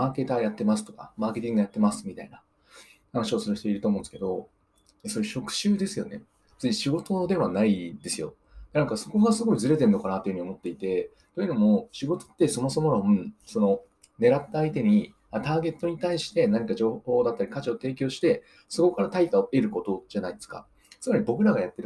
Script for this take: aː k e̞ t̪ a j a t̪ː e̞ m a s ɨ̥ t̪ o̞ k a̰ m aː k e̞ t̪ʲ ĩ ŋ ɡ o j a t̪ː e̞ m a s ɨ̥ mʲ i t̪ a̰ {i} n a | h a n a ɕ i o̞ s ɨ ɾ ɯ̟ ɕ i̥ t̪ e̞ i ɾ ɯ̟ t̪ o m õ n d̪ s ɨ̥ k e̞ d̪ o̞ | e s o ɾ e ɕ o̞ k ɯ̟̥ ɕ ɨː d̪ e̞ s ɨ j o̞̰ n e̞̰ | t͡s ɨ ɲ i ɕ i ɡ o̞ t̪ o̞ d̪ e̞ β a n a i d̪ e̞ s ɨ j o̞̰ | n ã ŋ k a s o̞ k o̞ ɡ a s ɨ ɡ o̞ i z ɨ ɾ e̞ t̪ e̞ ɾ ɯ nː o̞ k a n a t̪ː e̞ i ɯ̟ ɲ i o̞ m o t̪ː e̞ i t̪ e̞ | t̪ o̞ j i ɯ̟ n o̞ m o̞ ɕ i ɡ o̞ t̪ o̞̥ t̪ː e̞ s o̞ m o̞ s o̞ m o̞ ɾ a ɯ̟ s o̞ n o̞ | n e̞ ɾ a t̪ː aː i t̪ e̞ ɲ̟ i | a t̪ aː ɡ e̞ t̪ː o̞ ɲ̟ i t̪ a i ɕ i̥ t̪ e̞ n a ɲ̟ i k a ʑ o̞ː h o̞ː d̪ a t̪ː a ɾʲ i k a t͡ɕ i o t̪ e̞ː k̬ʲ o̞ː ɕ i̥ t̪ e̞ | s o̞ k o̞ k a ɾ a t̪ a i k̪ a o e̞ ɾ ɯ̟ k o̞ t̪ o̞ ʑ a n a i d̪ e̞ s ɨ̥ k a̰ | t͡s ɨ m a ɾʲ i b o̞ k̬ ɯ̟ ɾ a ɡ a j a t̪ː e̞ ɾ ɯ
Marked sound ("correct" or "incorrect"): correct